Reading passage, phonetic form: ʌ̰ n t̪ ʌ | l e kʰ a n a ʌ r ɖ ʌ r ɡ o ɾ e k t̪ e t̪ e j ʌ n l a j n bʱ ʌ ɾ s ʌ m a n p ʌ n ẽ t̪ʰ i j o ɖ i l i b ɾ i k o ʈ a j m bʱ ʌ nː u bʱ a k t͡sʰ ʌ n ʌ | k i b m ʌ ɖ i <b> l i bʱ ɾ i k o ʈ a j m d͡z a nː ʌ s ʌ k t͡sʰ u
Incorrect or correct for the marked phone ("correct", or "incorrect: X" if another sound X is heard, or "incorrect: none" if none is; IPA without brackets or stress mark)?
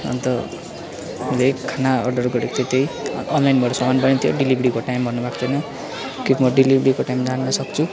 incorrect: none